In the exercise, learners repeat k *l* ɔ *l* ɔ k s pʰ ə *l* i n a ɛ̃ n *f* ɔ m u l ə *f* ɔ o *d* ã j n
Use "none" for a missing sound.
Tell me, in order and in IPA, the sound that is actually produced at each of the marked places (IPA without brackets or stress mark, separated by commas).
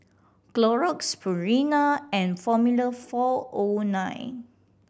l, ɹ, ɹ, f, f, n